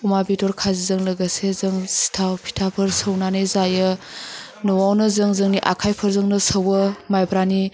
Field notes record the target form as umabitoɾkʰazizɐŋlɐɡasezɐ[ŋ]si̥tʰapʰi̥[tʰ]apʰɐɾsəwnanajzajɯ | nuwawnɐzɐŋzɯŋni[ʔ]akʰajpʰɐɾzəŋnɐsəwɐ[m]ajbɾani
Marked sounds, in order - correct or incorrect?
correct, correct, correct, correct

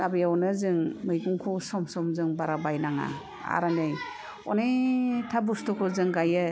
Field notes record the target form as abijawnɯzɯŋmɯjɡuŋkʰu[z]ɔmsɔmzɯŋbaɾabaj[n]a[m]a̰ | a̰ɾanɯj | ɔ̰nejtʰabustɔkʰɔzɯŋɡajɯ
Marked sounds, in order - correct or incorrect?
incorrect: s, correct, incorrect: ŋ

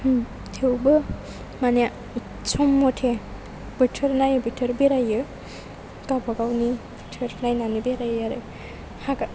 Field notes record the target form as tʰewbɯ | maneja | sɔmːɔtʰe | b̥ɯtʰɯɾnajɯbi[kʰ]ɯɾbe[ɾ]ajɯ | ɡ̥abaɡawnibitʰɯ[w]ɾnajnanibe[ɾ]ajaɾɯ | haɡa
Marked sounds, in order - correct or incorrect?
incorrect: tʰ, correct, incorrect: none, correct

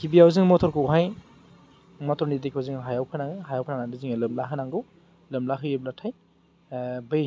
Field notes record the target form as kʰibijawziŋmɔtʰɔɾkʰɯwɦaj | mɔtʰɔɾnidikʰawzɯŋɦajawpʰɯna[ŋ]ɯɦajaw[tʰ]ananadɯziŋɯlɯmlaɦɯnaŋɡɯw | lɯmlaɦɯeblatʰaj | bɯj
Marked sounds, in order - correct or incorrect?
correct, incorrect: pʰ

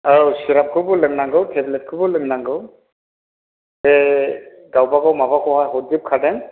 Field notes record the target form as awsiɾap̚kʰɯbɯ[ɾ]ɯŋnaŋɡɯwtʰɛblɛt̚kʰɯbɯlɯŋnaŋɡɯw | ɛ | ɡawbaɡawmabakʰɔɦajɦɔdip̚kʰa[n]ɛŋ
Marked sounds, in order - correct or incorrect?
incorrect: l, incorrect: d

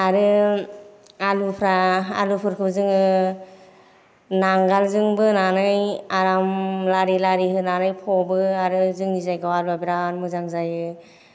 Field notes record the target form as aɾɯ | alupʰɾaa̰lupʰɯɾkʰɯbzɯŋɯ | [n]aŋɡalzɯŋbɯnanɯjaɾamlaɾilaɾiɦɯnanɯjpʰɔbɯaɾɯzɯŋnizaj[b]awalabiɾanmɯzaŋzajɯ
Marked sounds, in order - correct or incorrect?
correct, incorrect: ɡ

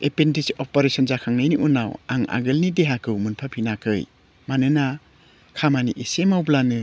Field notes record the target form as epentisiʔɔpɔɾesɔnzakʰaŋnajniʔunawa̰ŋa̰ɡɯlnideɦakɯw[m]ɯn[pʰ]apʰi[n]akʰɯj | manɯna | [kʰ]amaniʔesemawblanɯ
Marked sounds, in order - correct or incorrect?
correct, correct, correct, correct

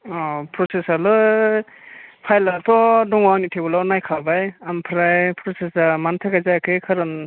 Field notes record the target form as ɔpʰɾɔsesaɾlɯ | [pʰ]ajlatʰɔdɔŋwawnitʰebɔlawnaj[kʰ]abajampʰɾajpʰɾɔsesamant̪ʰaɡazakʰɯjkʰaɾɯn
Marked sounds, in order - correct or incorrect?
correct, correct

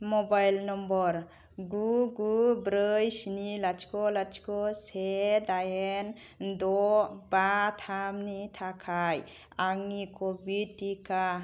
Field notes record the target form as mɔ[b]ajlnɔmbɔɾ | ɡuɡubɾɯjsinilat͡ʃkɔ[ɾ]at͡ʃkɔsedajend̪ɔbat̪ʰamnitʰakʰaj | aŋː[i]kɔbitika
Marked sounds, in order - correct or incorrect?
correct, incorrect: l, correct

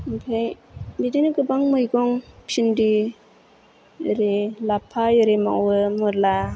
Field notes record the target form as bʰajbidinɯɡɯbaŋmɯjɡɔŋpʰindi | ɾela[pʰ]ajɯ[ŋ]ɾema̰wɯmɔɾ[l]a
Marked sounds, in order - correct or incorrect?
correct, incorrect: none, correct

